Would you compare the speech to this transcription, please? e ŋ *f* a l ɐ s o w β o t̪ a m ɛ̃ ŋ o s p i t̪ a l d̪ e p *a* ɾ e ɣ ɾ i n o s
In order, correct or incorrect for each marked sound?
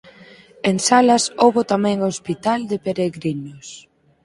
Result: incorrect: s, incorrect: e

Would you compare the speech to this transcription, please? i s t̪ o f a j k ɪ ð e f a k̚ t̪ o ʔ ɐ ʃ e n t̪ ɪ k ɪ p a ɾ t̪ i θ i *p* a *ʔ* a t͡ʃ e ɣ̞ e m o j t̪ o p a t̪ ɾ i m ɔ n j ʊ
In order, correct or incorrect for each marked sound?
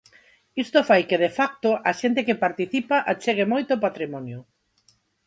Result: correct, correct

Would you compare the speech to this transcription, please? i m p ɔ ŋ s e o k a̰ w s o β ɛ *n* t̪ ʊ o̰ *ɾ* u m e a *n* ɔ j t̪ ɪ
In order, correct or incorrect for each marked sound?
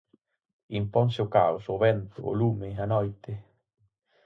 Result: correct, incorrect: l, correct

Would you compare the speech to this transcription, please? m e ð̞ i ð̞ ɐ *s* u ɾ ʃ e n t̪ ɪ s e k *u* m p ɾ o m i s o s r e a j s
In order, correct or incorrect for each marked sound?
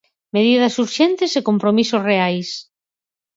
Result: correct, incorrect: o

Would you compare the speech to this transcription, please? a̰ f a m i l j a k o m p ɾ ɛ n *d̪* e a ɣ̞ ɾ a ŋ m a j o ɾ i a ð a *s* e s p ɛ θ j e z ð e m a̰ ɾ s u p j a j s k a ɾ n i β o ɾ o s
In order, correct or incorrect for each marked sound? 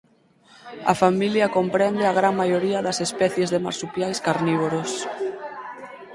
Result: correct, correct

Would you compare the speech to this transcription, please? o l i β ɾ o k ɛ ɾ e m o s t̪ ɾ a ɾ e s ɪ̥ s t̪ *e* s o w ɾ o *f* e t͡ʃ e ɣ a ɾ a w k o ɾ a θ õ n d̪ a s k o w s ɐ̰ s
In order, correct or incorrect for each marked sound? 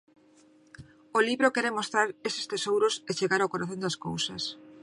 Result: correct, incorrect: s

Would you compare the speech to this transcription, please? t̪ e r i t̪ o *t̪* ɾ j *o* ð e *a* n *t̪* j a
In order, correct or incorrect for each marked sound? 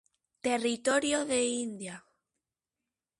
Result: incorrect: none, correct, incorrect: i, incorrect: d̪

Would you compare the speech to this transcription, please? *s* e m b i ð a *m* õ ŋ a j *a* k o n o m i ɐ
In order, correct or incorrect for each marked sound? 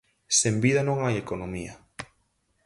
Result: correct, incorrect: n, incorrect: e

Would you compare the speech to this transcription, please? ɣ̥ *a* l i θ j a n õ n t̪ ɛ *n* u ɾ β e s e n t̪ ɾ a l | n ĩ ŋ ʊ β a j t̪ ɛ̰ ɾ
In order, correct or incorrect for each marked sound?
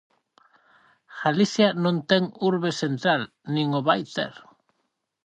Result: correct, incorrect: ŋ

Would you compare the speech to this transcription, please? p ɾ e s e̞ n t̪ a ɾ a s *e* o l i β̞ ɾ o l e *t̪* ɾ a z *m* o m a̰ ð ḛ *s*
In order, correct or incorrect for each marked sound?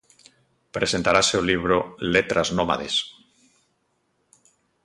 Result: correct, correct, incorrect: n, correct

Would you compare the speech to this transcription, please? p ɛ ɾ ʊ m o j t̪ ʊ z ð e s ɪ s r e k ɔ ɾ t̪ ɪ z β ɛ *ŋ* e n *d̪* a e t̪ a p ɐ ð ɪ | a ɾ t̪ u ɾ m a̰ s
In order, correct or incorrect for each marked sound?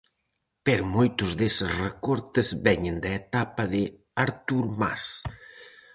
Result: incorrect: ɲ, correct

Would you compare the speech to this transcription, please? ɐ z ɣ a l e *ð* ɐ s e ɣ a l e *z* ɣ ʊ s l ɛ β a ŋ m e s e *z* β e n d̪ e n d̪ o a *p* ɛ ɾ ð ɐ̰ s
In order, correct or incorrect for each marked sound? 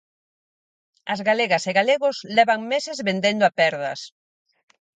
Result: incorrect: ɣ, incorrect: none, correct, correct

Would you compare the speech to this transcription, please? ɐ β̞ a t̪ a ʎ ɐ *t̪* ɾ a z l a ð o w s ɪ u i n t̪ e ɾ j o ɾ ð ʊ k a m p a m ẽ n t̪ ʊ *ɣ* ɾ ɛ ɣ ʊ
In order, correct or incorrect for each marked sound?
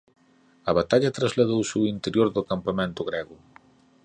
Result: correct, correct

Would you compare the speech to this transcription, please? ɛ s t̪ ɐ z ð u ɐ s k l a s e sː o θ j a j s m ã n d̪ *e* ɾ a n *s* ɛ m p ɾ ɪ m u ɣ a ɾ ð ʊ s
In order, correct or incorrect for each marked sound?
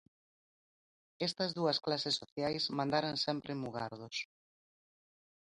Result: incorrect: a, correct

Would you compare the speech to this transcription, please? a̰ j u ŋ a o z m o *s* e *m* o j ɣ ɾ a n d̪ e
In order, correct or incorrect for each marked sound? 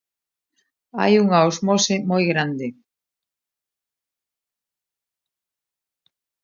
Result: correct, correct

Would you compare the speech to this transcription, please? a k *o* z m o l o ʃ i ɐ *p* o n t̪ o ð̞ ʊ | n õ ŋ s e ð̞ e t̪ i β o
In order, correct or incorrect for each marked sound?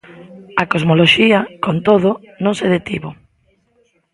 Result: correct, incorrect: k

